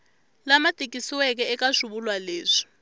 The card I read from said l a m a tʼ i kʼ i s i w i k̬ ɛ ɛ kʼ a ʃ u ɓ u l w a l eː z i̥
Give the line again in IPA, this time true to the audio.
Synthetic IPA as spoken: l a m a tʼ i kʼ i s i w ɛ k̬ ɛ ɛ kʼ a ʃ u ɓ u l w a l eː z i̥